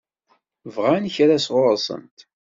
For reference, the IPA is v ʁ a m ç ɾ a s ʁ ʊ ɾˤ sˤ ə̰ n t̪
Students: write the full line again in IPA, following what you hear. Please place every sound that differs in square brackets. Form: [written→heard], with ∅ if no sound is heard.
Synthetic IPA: v ʁ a [m→n] ç ɾ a s ʁ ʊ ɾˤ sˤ ə̰ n t̪